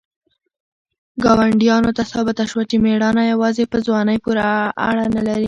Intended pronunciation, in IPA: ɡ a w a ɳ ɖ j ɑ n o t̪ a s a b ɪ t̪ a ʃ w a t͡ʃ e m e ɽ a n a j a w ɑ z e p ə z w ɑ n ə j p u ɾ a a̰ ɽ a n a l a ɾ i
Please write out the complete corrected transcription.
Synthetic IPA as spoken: ɡ ɑ w a ɳ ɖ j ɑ n o t̪ a s ɑ b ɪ t̪ a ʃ w a t͡ʃ e m e ɽ ɑ n a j a w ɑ z e p ə z w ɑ n ə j p u ɾ a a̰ ɽ a n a l a ɾ i